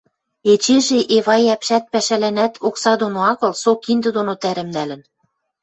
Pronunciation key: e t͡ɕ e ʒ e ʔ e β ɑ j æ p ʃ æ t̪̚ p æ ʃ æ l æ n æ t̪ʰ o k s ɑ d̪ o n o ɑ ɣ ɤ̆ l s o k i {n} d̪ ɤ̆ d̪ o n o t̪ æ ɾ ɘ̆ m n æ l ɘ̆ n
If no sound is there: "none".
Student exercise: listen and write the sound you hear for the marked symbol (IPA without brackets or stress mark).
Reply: n